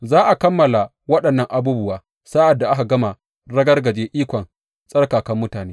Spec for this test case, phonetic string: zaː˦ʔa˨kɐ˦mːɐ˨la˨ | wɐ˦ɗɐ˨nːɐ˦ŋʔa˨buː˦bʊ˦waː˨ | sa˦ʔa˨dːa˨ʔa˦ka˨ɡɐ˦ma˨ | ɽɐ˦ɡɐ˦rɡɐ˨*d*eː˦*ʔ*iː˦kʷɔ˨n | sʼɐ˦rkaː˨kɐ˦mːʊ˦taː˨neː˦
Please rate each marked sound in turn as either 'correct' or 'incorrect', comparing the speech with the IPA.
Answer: incorrect: d͡ʒ, correct

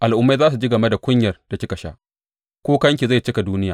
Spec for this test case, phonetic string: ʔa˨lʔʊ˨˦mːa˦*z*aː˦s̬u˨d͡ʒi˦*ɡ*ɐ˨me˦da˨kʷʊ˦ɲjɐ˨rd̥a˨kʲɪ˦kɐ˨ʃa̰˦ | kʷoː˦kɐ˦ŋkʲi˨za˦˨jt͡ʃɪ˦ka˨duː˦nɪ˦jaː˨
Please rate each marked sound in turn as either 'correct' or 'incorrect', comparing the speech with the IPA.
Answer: correct, correct

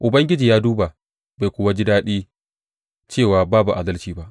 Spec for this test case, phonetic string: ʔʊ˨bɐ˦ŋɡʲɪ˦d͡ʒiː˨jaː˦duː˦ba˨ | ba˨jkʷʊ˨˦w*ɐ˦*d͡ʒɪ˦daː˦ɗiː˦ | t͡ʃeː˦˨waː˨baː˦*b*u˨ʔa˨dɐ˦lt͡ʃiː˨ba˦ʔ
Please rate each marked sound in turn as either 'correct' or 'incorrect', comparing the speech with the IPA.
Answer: incorrect: a˦, correct

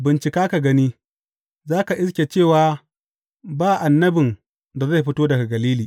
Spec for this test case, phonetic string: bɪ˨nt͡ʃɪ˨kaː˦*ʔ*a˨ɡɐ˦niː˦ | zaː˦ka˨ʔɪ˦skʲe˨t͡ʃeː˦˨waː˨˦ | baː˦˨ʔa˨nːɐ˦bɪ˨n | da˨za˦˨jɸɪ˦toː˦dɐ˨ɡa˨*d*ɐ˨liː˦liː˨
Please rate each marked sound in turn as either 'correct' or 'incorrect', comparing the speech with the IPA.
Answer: incorrect: k, incorrect: ɡ

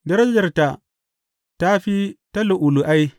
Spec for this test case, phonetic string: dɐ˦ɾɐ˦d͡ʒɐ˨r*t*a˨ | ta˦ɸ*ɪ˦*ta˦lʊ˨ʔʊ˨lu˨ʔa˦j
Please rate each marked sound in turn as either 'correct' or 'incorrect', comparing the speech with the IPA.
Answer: correct, incorrect: i˦

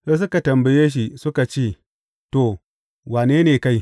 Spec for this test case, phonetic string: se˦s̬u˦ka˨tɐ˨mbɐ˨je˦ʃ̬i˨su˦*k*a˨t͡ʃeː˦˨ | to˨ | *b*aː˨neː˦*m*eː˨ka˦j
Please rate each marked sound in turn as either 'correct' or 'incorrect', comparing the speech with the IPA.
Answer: correct, incorrect: w, incorrect: n

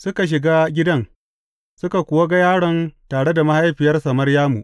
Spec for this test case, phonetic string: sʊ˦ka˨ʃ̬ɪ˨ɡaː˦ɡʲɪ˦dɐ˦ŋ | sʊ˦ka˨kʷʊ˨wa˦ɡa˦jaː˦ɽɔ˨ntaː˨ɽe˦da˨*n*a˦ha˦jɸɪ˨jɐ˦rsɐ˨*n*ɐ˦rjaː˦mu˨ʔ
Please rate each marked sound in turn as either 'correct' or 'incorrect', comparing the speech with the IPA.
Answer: incorrect: m, incorrect: m

